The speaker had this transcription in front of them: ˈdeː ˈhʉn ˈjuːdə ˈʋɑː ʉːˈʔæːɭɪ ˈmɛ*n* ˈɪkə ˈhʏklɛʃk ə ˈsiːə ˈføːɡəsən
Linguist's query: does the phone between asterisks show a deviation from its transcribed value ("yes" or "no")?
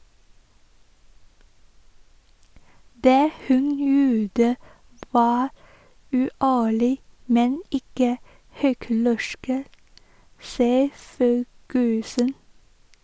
no